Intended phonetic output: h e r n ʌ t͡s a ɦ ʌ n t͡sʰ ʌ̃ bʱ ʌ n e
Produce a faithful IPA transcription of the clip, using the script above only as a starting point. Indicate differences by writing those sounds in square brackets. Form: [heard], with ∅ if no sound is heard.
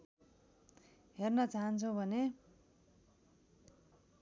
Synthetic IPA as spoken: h e r n ʌ t͡s a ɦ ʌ n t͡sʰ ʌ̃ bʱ ʌ n e

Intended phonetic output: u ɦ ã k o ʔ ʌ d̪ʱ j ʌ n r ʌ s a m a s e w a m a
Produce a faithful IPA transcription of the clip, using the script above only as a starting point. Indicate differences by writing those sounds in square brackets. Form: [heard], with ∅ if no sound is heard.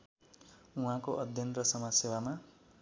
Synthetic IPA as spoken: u ɦ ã k o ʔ ʌ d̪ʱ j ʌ n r ʌ s [ʌ] m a s e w a m a

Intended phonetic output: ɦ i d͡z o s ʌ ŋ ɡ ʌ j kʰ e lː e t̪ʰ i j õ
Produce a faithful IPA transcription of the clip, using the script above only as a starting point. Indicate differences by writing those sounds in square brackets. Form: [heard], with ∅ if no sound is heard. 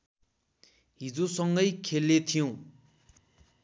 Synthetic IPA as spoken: ɦ i d͡z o s ʌ ŋ ɡ ʌ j kʰ e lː e t̪ʰ i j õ

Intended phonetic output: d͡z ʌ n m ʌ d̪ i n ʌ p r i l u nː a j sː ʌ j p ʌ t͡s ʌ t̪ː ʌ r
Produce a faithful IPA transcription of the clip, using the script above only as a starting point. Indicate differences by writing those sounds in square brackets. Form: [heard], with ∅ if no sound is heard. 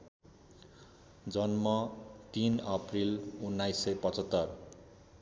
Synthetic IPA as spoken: d͡z ʌ n m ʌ [t̪] i n ʌ p r i l u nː a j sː ʌ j p ʌ t͡s ʌ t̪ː ʌ r

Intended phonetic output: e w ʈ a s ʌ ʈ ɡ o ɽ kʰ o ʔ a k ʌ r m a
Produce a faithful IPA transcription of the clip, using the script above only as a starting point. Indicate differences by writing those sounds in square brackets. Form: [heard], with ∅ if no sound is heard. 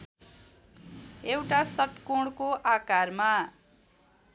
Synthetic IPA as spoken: e w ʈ a s ʌ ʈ [k] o ɽ [k] o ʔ a k [a] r m a

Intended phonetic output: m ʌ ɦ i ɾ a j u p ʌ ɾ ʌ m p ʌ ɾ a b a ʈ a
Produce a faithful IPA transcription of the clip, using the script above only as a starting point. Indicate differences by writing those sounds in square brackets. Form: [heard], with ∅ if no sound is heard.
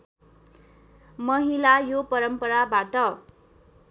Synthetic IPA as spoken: m ʌ ɦ i [l] a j [o] p ʌ ɾ ʌ m p ʌ ɾ a b a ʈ [ʌ]

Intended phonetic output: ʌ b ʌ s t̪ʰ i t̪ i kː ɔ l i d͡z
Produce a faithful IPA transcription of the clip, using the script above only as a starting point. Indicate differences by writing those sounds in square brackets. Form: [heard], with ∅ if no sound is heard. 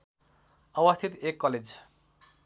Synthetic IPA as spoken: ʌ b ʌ s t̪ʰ i t̪ [e] kː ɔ l [e] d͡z

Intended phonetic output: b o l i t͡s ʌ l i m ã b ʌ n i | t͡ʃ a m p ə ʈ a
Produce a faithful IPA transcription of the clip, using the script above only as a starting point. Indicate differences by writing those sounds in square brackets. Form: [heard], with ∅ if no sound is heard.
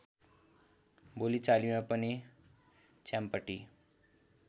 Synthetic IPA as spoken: b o l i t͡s [a] l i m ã [p] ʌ n i | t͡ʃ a m p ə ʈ [i]

